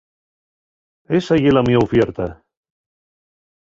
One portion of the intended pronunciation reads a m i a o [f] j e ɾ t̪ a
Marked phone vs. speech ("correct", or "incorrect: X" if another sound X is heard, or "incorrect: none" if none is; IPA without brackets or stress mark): correct